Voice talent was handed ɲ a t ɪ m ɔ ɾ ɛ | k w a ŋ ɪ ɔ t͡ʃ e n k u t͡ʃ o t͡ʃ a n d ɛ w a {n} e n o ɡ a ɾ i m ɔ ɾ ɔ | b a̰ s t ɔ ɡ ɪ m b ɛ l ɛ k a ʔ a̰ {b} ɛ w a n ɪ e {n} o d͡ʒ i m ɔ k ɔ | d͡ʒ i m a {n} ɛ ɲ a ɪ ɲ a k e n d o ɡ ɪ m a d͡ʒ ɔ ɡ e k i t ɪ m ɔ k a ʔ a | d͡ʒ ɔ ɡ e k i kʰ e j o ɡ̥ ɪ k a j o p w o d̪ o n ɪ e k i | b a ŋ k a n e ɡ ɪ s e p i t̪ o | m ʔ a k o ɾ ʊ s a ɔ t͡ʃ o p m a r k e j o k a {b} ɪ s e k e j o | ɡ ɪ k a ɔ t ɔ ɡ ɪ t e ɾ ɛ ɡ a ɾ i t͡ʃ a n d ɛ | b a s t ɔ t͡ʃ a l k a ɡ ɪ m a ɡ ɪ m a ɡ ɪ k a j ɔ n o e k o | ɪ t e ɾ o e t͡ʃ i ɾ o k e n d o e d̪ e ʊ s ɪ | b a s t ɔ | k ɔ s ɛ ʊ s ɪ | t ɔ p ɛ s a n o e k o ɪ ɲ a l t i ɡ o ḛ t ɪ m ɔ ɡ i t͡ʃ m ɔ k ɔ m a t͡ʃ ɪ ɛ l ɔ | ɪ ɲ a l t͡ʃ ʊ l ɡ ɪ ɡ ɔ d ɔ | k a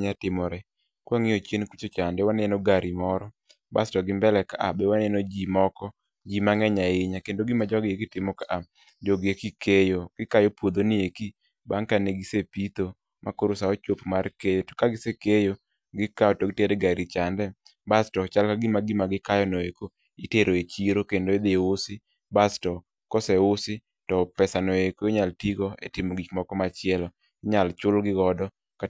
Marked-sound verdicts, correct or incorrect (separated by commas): correct, correct, correct, incorrect, incorrect